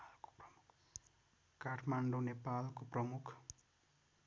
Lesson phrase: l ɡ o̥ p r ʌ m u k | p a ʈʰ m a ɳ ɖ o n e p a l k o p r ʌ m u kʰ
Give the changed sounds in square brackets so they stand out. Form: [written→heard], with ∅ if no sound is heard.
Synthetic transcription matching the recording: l [ɡ→k] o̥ p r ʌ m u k | [p→k] a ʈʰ m a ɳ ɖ o n e p a l k o p r ʌ m u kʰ